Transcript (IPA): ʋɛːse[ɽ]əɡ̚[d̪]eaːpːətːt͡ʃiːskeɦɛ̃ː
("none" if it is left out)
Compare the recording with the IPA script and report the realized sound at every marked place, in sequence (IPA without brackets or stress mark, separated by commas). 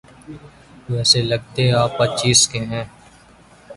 l, t̪